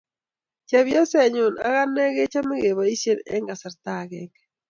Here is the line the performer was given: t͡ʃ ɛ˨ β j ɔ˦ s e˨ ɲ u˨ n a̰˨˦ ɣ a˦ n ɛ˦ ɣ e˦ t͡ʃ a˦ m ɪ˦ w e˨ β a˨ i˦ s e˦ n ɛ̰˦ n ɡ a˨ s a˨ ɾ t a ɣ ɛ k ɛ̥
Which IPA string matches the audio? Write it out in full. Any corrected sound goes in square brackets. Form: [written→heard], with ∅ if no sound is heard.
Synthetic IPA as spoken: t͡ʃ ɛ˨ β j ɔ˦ s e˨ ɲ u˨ n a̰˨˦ ɣ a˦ n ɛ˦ ɣ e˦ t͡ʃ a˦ m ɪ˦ [w→ɣ] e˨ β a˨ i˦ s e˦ n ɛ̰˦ [n→ŋ] ɡ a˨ s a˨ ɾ t a ɣ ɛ k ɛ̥